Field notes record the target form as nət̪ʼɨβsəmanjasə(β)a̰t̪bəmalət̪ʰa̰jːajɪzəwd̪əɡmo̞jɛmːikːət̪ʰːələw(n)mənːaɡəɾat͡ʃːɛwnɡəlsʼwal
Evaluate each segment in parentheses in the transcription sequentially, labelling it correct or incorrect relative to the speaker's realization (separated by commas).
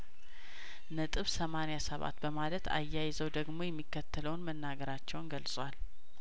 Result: correct, correct